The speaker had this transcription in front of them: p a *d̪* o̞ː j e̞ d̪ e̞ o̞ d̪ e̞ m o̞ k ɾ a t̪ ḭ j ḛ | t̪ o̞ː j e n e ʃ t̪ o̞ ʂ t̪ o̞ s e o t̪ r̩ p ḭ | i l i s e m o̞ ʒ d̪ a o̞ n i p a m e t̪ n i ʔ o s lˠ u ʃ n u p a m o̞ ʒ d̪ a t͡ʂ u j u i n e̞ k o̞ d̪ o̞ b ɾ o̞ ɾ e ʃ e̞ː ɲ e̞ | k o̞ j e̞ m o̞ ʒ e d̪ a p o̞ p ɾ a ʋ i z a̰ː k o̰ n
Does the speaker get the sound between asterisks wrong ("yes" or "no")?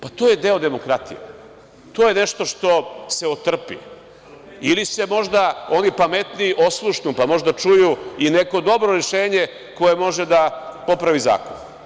yes